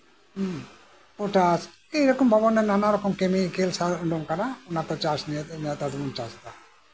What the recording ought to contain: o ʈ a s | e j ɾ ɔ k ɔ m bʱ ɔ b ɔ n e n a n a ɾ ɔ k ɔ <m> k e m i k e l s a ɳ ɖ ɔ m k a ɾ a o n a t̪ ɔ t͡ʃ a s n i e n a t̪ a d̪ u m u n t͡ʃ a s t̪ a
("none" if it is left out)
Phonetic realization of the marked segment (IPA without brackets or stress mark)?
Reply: m